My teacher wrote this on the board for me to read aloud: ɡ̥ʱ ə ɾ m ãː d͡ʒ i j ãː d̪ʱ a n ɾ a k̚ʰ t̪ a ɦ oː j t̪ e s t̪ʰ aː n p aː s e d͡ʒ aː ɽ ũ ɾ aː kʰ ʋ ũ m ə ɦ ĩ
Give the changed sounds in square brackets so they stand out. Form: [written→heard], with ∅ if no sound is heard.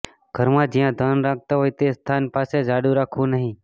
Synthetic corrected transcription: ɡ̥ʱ ə ɾ m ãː d͡ʒ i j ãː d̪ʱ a n ɾ a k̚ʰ t̪ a ɦ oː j t̪ e s t̪ʰ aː n p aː s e d͡ʒ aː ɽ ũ ɾ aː kʰ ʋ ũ [m→n] ə ɦ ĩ

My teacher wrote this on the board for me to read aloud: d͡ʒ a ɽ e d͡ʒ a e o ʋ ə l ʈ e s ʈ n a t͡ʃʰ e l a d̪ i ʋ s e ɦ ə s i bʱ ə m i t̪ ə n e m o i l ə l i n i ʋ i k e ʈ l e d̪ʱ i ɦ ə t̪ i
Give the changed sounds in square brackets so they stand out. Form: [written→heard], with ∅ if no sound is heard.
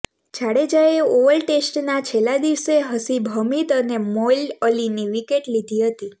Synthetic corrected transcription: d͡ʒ a ɽ e d͡ʒ a e o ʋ ə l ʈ e s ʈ n a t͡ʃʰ e l a d̪ i ʋ s e ɦ ə s i bʱ ə m i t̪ ə n e m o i l ə l i n i ʋ i k e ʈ l [e→i] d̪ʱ i ɦ ə t̪ i

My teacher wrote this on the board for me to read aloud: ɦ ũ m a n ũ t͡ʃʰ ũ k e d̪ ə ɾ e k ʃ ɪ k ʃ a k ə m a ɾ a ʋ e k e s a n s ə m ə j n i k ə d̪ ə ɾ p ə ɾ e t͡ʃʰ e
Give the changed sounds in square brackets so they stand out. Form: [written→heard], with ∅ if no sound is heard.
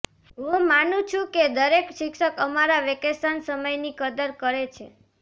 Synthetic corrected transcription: ɦ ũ m a n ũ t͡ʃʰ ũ k e d̪ ə ɾ e k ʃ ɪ k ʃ [a→ə] k ə m a ɾ a ʋ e k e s a n s ə m ə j n i k ə d̪ ə ɾ [p→k] ə ɾ e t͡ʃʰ e

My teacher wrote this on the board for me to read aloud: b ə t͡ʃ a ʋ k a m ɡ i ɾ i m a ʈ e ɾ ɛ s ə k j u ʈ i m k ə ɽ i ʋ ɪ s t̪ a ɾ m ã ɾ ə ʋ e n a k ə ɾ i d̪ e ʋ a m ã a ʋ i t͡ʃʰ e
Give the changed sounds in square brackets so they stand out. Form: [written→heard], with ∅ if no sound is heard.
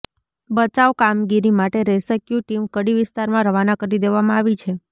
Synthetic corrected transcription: b ə t͡ʃ a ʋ k a m ɡ i ɾ i m a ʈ e ɾ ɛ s ə k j u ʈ i m k ə ɽ i ʋ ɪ s t̪ a ɾ m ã ɾ ə ʋ [e→a] n a k ə ɾ i d̪ e ʋ a m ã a ʋ i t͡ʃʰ e

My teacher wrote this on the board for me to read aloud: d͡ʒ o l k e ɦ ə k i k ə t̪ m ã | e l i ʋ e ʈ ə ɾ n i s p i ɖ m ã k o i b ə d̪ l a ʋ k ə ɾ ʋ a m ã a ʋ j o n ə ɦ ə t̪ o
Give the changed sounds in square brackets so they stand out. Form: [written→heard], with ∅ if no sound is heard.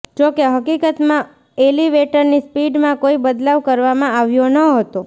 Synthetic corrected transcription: d͡ʒ o [l→∅] k e ɦ ə k i k ə t̪ m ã | e l i ʋ e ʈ ə ɾ n i s p i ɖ m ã k o i b ə d̪ l a ʋ k ə ɾ ʋ a m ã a ʋ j o n ə ɦ ə t̪ o

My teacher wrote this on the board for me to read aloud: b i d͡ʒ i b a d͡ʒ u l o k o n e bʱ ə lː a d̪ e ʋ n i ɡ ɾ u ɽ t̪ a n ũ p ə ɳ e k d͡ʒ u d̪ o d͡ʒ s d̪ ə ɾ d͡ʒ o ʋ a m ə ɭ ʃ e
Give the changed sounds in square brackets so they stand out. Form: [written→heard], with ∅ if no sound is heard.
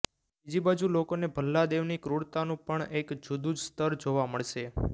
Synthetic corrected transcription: b i d͡ʒ i b a d͡ʒ u l o k o n e bʱ ə lː a d̪ e ʋ n i [ɡ→k] ɾ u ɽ t̪ a n ũ p ə ɳ e k d͡ʒ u d̪ [o→u] d͡ʒ s [d̪→t̪] ə ɾ d͡ʒ o ʋ a m ə ɭ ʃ e

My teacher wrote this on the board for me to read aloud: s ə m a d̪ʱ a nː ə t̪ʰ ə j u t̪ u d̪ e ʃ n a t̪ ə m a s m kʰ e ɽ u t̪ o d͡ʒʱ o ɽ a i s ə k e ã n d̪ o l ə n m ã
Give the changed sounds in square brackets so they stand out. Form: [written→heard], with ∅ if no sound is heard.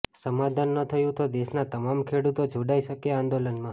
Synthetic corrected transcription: s ə m a d̪ʱ a nː ə t̪ʰ ə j [u→ũ] t̪ [u→o] d̪ e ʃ n a t̪ ə m a [s→∅] m kʰ e ɽ u t̪ o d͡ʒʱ o ɽ a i [s→ʃ] ə k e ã n d̪ o l ə n m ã

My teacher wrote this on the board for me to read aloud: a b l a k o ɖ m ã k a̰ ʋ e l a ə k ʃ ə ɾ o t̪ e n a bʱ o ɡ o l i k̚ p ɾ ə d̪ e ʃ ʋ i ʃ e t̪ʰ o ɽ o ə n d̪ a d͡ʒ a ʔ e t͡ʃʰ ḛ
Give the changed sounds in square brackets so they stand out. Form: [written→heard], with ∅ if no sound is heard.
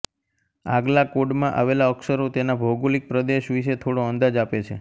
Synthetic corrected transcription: a [b→ɡ] l a k o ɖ m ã [k→ʔ] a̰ ʋ e l a ə k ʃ ə ɾ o t̪ e n a bʱ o ɡ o l i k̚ p ɾ ə d̪ e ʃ ʋ i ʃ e t̪ʰ o ɽ o ə n d̪ a d͡ʒ a [ʔ→p] e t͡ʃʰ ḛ

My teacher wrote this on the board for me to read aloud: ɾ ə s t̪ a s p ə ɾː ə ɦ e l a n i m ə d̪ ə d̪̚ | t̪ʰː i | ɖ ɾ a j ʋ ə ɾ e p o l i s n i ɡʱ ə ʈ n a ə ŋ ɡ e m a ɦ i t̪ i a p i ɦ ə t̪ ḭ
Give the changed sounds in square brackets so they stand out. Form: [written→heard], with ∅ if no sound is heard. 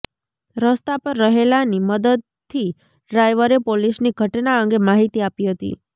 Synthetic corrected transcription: ɾ ə s t̪ a [s→∅] p ə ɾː ə ɦ e l a n i m ə d̪ ə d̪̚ | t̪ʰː i | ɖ ɾ a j ʋ ə ɾ e p o l i s n i ɡʱ ə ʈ n a ə ŋ ɡ e m a ɦ i t̪ i a p i ɦ ə t̪ ḭ

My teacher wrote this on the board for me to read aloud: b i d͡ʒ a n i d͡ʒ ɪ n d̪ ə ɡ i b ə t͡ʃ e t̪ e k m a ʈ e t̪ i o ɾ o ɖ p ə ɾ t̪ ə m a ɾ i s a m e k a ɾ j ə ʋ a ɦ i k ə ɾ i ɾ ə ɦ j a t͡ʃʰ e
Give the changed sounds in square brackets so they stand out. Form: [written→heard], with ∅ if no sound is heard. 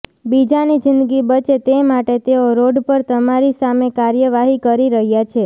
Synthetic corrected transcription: b i d͡ʒ a n i d͡ʒ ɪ n d̪ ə ɡ i b ə t͡ʃ e t̪ e [k→∅] m a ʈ e t̪ [i→e] o ɾ o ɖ p ə ɾ t̪ ə m a ɾ i s a m e k a ɾ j ə ʋ a ɦ i k ə ɾ i ɾ ə ɦ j a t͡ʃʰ e

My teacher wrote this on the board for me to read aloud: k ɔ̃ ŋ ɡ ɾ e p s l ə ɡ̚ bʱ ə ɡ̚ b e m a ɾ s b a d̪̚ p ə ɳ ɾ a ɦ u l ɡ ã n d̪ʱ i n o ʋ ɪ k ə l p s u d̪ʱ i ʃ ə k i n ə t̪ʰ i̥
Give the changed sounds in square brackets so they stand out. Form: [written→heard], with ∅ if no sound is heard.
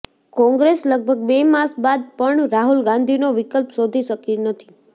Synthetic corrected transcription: k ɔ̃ ŋ ɡ ɾ e [p→∅] s l ə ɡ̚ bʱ ə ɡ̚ b e m a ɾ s b a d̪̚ p ə ɳ ɾ a ɦ u l ɡ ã n d̪ʱ i n o ʋ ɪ k ə l p s [u→o] d̪ʱ i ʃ ə k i n ə t̪ʰ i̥

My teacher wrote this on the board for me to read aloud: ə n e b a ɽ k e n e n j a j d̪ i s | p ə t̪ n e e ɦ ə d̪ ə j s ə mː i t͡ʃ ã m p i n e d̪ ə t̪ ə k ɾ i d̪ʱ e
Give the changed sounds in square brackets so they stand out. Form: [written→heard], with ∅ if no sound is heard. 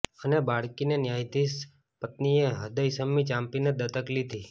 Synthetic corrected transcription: ə n e b a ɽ k [e→i] n e n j a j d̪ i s | p ə t̪ n [e→i] e ɦ ə d̪ ə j s ə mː i t͡ʃ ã m p i n e d̪ ə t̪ ə k [ɾ→l] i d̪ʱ [e→i]

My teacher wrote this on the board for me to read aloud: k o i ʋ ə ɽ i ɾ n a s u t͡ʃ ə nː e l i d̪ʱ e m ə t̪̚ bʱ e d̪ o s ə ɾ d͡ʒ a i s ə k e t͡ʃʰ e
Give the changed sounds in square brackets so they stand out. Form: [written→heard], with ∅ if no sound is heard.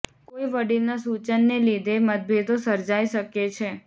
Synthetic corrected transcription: k o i ʋ ə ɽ i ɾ n a s u t͡ʃ ə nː e l i d̪ʱ e m ə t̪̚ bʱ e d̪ o s ə ɾ d͡ʒ a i [s→ʃ] ə k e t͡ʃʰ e

